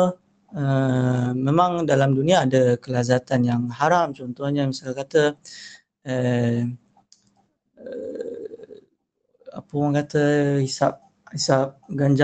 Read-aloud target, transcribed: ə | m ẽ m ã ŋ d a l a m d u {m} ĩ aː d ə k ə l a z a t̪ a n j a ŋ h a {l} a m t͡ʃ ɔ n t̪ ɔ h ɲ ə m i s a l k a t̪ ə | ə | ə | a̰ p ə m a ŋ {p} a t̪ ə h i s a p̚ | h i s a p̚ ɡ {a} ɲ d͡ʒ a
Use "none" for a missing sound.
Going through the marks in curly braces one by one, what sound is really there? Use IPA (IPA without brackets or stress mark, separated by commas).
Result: n, ɾ, k, a